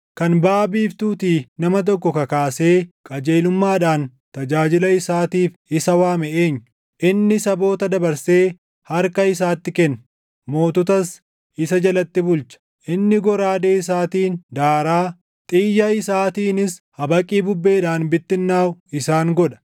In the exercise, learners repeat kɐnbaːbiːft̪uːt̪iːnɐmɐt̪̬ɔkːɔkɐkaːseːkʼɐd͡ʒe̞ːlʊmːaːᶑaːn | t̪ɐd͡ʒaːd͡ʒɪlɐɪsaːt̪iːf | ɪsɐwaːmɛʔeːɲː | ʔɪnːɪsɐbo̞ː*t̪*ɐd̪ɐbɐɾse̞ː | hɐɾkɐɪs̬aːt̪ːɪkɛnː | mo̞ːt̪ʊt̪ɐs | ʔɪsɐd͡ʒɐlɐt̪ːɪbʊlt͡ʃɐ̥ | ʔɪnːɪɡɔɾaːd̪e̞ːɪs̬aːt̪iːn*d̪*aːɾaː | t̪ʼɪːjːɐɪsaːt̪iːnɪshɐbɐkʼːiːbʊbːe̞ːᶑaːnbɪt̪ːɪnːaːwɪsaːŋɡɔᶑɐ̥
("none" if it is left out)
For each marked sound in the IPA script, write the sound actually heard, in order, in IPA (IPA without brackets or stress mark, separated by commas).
t̪, d̪